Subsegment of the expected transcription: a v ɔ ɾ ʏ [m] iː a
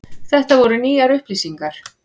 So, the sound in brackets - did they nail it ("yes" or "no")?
no